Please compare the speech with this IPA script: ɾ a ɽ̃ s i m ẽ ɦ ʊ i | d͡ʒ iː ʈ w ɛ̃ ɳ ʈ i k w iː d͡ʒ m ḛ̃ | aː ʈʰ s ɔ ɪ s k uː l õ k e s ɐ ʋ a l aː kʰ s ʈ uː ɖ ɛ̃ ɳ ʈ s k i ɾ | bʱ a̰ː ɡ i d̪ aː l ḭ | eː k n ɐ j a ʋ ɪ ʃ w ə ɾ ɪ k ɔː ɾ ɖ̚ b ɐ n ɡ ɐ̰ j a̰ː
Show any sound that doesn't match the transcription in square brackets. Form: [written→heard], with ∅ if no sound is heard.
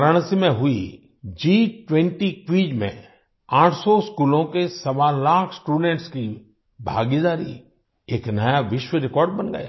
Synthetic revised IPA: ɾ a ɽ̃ s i m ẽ ɦ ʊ i | d͡ʒ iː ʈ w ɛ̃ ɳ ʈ i k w iː d͡ʒ m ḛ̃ | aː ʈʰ s ɔ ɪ s k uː l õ k e s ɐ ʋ a l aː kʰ s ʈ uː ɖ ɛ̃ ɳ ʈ s k i [ɾ→∅] | bʱ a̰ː ɡ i d̪ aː [l→ɾ] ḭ | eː k n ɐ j a ʋ ɪ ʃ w ə ɾ ɪ k ɔː ɾ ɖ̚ b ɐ n ɡ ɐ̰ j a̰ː

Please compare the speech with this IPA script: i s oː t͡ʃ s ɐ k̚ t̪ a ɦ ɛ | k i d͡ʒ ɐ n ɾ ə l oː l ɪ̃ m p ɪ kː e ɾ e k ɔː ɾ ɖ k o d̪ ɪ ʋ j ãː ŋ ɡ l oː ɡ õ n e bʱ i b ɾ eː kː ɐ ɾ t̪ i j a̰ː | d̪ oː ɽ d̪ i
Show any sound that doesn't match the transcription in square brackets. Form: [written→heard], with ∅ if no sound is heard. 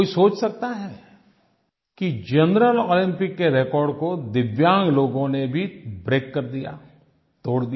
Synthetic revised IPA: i s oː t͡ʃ s ɐ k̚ t̪ a ɦ ɛ | k i d͡ʒ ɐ n ɾ ə l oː l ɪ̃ m p ɪ kː e ɾ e k ɔː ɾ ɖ k o d̪ ɪ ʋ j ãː ŋ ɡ l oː ɡ õ n e bʱ i b ɾ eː kː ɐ ɾ [t̪→d̪] i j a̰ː | [d̪→t̪] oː ɽ d̪ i

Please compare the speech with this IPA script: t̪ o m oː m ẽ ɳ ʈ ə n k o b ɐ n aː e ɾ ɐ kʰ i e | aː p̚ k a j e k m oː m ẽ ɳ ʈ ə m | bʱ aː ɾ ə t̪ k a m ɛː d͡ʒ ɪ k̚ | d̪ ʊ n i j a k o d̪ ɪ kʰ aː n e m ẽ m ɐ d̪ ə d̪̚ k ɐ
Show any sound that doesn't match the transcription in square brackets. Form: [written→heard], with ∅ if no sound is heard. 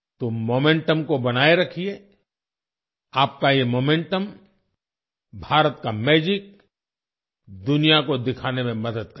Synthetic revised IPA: t̪ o m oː m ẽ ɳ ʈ ə [n→m] k o b ɐ n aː e ɾ ɐ kʰ i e | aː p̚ k a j e [k→∅] m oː m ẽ ɳ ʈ ə m | bʱ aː ɾ ə t̪ k a m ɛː d͡ʒ ɪ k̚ | d̪ ʊ n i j a k o d̪ ɪ kʰ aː n e m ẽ m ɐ d̪ ə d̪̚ k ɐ

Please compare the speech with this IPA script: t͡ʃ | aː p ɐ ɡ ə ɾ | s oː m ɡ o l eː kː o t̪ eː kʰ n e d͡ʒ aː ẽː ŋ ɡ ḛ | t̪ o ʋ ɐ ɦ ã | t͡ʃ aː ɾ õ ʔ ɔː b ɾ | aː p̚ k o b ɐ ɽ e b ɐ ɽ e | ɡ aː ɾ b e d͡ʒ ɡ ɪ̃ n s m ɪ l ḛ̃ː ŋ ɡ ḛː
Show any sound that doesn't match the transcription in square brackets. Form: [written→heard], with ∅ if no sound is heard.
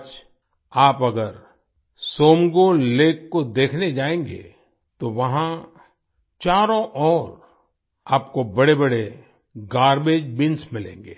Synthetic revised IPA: t͡ʃ | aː p ɐ ɡ ə ɾ | s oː m ɡ o l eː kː o [t̪→d̪] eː kʰ n e d͡ʒ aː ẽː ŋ ɡ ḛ | t̪ o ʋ ɐ ɦ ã | t͡ʃ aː ɾ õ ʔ ɔː [b→∅] ɾ | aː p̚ k o b ɐ ɽ e b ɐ ɽ e | ɡ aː ɾ b e d͡ʒ [ɡ→b] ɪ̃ n s m ɪ l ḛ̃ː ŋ ɡ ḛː

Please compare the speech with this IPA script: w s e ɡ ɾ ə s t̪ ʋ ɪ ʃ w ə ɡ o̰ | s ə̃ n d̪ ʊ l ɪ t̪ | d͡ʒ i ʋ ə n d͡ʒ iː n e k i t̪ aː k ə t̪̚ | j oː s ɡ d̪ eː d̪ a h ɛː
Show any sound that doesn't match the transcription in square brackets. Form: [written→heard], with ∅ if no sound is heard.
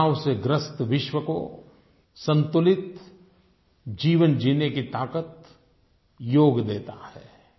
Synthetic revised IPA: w s e ɡ ɾ ə s t̪ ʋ ɪ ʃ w ə [ɡ→k] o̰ | s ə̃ n [d̪→t̪] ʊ l ɪ t̪ | d͡ʒ [i→iː] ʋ ə n d͡ʒ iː n e k i t̪ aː k ə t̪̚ | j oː [s→∅] ɡ d̪ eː [d̪→t̪] a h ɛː

